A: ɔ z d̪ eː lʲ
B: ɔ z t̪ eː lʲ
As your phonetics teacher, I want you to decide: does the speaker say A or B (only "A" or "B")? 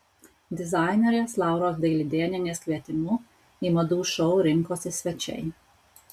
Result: A